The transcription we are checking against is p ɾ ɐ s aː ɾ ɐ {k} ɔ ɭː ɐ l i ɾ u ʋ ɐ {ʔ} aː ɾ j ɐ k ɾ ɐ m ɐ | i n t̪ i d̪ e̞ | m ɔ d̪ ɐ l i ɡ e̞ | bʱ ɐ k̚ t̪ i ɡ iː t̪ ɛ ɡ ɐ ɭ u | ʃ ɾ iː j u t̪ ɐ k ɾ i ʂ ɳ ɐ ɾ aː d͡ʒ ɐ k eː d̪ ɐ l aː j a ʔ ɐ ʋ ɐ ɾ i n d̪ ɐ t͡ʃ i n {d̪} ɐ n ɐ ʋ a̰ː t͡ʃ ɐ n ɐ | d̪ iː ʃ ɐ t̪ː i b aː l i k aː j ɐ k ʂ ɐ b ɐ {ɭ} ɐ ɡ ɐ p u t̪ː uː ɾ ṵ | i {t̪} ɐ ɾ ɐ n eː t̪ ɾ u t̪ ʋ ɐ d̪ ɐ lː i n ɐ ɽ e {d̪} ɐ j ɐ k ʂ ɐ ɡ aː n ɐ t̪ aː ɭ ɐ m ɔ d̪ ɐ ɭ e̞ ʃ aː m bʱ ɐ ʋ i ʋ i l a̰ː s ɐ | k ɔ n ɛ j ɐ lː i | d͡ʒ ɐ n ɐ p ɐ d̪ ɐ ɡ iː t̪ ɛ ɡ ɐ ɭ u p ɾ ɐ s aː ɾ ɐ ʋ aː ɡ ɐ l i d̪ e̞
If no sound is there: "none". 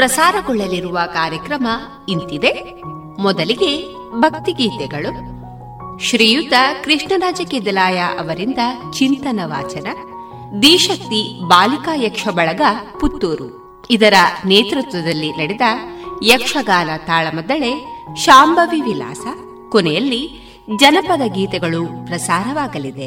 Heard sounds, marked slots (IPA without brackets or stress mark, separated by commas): ɡ, k, t̪, ɭ, d̪, d̪